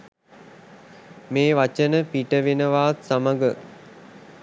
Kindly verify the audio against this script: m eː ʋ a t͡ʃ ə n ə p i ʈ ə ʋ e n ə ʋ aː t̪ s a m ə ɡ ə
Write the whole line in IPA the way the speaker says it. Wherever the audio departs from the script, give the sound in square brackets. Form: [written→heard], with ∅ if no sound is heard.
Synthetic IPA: m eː ʋ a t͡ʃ ə n ə p i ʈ ə ʋ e n ə ʋ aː t̪ s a m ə ɡ ə